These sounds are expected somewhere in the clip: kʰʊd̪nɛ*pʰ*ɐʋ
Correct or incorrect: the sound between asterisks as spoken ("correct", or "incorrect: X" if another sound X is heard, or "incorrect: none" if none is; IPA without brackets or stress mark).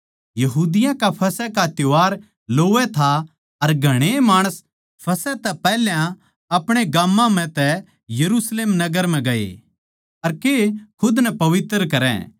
incorrect: p